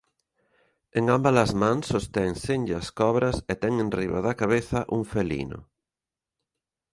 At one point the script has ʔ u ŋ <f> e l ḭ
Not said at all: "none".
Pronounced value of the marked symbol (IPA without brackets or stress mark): f